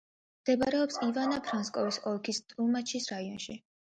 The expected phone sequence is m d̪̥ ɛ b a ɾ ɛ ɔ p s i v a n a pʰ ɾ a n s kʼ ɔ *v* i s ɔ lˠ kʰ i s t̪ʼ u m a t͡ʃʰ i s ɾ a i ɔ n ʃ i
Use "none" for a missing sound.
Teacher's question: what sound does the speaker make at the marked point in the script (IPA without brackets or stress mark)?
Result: v